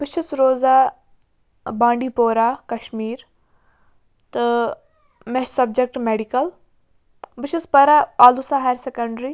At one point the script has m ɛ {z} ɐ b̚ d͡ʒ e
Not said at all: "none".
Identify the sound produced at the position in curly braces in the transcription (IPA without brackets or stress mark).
s